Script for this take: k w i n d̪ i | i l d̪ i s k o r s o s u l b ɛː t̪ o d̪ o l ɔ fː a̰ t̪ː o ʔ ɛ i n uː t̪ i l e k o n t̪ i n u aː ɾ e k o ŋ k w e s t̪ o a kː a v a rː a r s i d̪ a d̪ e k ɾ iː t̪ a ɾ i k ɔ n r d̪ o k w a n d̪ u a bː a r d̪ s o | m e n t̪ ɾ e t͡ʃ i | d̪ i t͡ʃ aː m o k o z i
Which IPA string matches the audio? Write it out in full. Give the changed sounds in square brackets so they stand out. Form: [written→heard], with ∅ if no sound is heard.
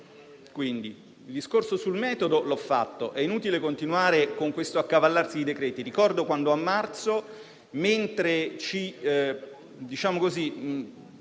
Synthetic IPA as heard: k w i n d̪ i | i l d̪ i s k o r s o s u l [b→m] ɛː t̪ o d̪ o l ɔ fː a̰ t̪ː o ʔ ɛ i n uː t̪ i l e k o n t̪ i n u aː ɾ e k o ŋ k w e s t̪ o a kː a v a [rː→lː] a r s i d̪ [a→i] d̪ e k ɾ [iː→ɛː] t̪ [a→i] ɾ i k ɔ [n→∅] r d̪ o k w a n d̪ [u→o] a [bː→mː] a r [d̪→t̪] s o | m e n t̪ ɾ e t͡ʃ i | d̪ i t͡ʃ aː m o k o z i

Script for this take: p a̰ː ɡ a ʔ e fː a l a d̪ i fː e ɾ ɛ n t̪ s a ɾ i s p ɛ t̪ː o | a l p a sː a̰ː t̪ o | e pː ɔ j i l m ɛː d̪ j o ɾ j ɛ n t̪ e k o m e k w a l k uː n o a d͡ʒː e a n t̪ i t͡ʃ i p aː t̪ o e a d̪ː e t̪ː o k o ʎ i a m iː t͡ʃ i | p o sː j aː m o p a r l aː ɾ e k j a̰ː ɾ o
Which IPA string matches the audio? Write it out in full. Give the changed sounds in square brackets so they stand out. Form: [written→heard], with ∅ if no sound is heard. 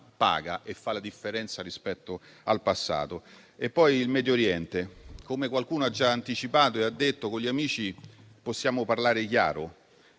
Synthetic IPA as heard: p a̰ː ɡ a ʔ e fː a l a d̪ i fː e ɾ ɛ n t̪ s a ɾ i s p ɛ t̪ː o | a l p a sː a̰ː t̪ o | e pː ɔ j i l m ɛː d̪ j o ɾ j ɛ n t̪ e k o m e k w a l k uː n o a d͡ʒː [e→a] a n t̪ i t͡ʃ i p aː t̪ o e a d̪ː e t̪ː o k o ʎ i a m iː t͡ʃ i | p o sː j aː m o p a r l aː ɾ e k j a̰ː ɾ o

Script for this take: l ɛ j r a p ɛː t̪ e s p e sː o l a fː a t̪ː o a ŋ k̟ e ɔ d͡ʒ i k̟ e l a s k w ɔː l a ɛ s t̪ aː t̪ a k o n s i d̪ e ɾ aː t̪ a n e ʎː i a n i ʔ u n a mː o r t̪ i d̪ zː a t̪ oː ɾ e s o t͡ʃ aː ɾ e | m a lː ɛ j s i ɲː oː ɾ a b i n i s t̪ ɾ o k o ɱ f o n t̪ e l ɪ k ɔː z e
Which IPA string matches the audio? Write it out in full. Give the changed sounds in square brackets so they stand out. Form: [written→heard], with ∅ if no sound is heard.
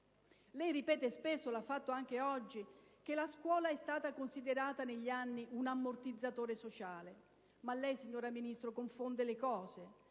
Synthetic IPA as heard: l ɛ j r [a→i] p ɛː t̪ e s p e sː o l a fː a t̪ː o a ŋ k̟ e ɔ [d͡ʒ→d͡ʒː] i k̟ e l a s k w ɔː l a ɛ s t̪ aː t̪ a k o n s i d̪ e ɾ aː t̪ a n e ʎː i a [n→nː] i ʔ u n a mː o r t̪ i d̪ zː a t̪ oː ɾ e s o t͡ʃ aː [ɾ→l] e | m a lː ɛ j s i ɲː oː ɾ a [b→m] i n i s t̪ ɾ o k o ɱ f o n [t̪→d̪] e l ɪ k ɔː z e

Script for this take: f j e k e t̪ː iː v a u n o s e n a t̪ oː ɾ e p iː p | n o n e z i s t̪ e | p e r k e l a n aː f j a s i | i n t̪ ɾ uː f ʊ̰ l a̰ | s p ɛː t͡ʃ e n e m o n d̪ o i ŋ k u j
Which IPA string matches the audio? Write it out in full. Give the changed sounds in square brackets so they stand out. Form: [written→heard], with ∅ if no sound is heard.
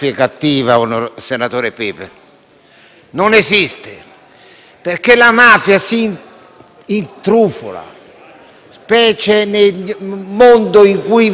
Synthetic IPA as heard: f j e k [e→a] t̪ː iː v a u n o s e n a t̪ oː ɾ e p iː p | n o n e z i s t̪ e | p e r k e l a [n→m] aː f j a s i | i n t̪ ɾ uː f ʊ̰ l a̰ | s p ɛː t͡ʃ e n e m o n d̪ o i ŋ k u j

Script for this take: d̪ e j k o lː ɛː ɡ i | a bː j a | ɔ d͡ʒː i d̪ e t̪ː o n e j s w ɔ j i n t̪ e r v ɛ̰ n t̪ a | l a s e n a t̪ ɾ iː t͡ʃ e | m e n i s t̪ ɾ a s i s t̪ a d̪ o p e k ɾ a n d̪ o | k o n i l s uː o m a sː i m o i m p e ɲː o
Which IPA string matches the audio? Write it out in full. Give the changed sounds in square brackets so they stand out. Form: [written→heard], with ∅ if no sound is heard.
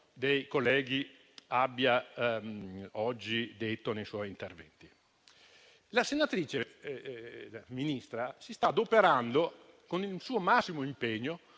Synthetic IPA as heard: d̪ e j k o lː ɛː ɡ i | a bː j a | ɔ d͡ʒː i d̪ e t̪ː o n e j s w ɔ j i n t̪ e r v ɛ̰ n t̪ [a→i] | l a s e n a t̪ ɾ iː t͡ʃ e | m [e→i] n i s t̪ ɾ a s i s t̪ a d̪ o p e [k→∅] ɾ a n d̪ o | k o n i l s uː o m a sː i m o i m p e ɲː o

